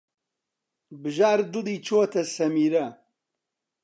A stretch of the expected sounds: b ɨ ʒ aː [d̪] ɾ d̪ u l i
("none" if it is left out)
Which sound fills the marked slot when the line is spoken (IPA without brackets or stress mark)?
none